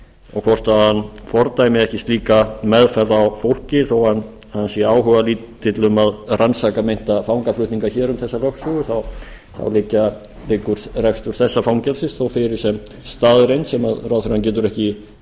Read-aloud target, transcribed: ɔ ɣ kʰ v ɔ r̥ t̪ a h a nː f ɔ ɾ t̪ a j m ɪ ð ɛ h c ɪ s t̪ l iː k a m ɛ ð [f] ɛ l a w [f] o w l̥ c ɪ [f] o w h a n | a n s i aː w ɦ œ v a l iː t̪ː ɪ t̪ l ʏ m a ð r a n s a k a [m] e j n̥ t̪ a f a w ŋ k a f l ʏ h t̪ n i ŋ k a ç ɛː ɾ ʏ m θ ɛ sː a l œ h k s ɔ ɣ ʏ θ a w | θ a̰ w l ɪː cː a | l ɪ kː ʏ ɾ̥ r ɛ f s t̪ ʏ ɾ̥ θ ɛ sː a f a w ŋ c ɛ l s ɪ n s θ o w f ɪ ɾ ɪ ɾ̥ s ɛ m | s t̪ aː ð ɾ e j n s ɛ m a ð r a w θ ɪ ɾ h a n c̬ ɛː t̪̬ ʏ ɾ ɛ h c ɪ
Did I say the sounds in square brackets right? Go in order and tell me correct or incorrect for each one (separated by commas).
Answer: correct, correct, incorrect, correct